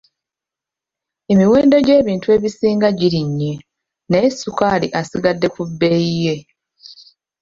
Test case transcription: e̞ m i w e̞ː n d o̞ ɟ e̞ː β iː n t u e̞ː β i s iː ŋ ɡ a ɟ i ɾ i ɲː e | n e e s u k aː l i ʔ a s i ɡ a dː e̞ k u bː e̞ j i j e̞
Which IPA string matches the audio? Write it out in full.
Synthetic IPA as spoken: e̞ m i w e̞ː n d o̞ ɟ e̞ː β iː n t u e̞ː β i s iː ŋ ɡ a ɟ i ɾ i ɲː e | n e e s u k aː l i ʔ a s i ɡ a dː e̞ k u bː e̞ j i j e̞